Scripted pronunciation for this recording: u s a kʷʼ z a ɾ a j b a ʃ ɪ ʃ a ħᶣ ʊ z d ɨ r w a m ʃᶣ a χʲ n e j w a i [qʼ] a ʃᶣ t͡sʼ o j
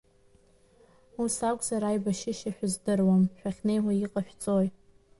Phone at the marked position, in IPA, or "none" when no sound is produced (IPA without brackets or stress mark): qʼ